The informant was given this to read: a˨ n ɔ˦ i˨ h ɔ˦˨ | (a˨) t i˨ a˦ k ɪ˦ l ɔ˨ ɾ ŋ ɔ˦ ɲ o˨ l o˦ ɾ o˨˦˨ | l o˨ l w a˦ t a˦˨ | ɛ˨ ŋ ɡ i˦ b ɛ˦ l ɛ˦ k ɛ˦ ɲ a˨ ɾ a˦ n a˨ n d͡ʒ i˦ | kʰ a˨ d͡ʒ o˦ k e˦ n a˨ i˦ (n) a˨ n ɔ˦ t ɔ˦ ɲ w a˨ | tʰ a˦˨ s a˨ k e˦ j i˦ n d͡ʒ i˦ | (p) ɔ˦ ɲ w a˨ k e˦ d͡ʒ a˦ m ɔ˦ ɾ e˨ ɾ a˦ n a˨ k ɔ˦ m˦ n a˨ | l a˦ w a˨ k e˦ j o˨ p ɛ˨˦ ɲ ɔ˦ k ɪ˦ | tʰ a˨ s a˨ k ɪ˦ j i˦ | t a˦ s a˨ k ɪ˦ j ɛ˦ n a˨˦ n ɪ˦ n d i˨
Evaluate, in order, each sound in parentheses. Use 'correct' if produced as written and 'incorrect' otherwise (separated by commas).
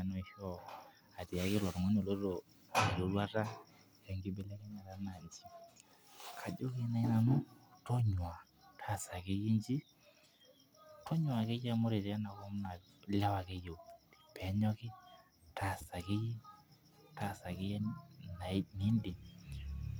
correct, correct, incorrect